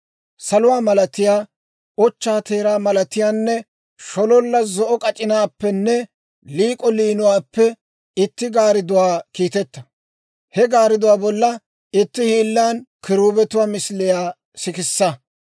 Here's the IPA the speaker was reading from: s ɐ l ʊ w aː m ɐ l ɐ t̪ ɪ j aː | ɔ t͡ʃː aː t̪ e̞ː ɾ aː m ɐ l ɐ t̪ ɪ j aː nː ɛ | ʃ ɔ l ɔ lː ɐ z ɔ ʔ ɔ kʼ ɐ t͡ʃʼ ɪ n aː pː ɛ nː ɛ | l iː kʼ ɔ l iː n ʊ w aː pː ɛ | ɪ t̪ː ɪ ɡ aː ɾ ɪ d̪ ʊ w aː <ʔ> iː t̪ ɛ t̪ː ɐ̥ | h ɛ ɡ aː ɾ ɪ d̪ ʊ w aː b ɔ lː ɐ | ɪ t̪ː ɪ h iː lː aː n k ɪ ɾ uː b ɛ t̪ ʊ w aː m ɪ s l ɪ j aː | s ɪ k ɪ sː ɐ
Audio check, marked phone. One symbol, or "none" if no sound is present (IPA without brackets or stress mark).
k